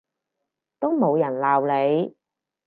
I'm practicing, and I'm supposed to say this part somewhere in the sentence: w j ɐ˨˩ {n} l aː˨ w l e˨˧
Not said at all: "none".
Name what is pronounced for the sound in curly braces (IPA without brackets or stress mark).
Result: n